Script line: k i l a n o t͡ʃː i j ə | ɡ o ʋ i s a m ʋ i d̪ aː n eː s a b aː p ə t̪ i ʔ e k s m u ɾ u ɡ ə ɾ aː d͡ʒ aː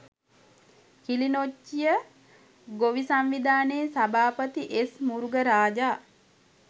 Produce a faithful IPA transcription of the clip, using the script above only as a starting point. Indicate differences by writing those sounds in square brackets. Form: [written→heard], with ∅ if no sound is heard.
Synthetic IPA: k i l [a→i] n o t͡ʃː i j ə | ɡ o ʋ i s a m ʋ i d̪ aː n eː s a b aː p ə t̪ i ʔ e [k→∅] s m u ɾ u ɡ ə ɾ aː d͡ʒ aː